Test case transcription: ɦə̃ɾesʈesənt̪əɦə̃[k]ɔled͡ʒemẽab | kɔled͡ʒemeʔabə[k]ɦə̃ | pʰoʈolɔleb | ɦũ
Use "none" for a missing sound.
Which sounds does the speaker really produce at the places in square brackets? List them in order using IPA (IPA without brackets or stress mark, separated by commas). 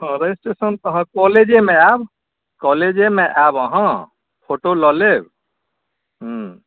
k, none